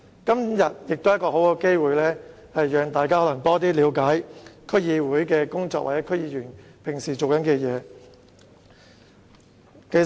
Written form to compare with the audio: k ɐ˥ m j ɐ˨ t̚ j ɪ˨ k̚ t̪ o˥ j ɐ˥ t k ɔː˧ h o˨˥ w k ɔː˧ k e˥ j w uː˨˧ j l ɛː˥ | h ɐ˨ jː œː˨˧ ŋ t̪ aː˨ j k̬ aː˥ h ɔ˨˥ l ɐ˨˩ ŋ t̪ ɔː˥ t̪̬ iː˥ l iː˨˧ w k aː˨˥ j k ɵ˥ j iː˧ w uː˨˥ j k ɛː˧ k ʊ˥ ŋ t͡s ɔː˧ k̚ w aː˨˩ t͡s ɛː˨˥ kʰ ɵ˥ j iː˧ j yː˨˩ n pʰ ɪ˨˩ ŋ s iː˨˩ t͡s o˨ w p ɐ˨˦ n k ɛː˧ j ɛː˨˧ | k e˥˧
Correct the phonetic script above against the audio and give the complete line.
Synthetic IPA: k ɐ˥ m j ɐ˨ t̚ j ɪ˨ k̚ t̪ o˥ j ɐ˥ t k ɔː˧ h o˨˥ w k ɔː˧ k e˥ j w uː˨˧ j l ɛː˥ | h ɐ˨ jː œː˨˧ ŋ t̪ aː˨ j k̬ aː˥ h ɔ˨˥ l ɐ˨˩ ŋ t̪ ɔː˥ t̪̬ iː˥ l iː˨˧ w k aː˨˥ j kʰ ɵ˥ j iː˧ w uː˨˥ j k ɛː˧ k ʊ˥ ŋ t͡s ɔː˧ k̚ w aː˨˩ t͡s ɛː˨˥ kʰ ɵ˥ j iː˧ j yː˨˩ n pʰ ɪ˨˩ ŋ s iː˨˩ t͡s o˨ w k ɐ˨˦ n k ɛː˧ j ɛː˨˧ | k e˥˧

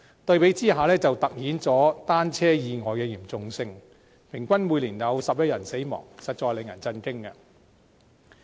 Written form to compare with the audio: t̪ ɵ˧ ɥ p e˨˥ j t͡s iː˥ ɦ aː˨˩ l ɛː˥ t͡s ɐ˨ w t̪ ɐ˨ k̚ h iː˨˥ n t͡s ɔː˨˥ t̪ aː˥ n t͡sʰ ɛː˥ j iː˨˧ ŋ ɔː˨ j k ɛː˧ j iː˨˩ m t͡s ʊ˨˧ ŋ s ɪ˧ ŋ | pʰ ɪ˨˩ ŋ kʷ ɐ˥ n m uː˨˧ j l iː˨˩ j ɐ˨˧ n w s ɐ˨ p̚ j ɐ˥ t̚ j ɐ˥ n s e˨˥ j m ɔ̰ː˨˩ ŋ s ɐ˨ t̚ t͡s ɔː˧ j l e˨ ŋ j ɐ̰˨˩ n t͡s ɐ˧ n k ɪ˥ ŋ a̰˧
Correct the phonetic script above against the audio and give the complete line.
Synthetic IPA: t̪ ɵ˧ ɥ p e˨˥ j t͡s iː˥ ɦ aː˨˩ l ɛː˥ t͡s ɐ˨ w t̪ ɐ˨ k̚ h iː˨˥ n t͡s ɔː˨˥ t̪ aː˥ n t͡sʰ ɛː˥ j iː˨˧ ŋ ɔː˨ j k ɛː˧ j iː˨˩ m t͡s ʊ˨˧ ŋ s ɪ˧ ŋ | pʰ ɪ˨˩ ŋ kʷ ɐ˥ n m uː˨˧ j l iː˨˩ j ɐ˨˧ w s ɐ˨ p̚ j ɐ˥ t̚ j ɐ˨˩ n s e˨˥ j m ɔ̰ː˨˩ ŋ s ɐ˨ t̚ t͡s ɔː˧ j l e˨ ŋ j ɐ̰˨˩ n t͡s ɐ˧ n k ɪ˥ ŋ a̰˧

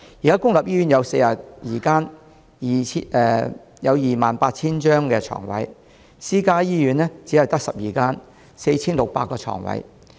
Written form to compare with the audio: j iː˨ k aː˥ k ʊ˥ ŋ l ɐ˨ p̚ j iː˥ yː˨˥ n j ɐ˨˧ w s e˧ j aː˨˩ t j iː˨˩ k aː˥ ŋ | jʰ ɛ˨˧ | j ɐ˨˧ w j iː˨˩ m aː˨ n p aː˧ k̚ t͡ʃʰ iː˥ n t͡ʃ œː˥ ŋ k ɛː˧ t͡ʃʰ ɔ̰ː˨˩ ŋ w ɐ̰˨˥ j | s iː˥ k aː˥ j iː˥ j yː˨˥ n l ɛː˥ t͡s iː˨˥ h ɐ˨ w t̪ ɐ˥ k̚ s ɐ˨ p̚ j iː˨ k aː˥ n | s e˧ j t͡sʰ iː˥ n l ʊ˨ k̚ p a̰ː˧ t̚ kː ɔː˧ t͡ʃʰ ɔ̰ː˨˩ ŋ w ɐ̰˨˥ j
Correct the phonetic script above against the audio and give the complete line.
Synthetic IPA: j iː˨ k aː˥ k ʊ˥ ŋ l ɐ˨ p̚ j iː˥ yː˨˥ n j ɐ˨˧ w s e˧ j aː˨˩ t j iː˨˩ k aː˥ n | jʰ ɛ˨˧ | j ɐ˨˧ w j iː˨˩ m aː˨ n p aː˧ t̚ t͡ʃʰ iː˥ n t͡ʃ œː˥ ŋ k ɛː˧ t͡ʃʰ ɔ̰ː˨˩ ŋ w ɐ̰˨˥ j | s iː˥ k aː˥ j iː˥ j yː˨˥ n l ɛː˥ t͡s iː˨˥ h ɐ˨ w t̪ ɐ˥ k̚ s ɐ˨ p̚ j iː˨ k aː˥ n | s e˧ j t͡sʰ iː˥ n l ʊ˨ k̚ p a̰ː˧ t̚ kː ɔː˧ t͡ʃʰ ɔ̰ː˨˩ ŋ w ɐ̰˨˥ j

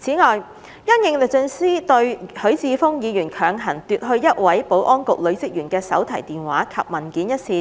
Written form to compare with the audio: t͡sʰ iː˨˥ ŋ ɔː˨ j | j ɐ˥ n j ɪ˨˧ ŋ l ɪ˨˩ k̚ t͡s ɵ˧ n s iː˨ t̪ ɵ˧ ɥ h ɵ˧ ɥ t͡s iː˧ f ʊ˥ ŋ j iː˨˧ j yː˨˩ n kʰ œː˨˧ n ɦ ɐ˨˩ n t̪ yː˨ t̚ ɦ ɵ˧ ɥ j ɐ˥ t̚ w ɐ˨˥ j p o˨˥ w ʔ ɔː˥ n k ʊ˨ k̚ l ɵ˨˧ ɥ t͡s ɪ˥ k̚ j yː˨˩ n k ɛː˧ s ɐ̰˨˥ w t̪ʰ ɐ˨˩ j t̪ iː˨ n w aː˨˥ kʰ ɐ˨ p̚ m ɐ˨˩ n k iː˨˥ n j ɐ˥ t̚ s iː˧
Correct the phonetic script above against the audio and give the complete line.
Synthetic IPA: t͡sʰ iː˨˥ ŋ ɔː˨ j | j ɐ˥ n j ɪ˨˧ ŋ l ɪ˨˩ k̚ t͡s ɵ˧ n s iː˥ t̪ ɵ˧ ɥ h ɵ˨˥ ɥ t͡s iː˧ f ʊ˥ ŋ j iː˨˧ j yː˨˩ n kʰ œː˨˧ ŋ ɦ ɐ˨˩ n t̪ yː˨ t̚ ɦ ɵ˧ ɥ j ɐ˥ t̚ w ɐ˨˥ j p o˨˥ w ʔ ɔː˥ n k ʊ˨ k̚ l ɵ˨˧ ɥ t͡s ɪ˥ k̚ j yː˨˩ n k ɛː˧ s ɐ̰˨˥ w t̪ʰ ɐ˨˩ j t̪ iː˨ n w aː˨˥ kʰ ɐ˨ p̚ m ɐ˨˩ n k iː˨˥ n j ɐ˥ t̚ s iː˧

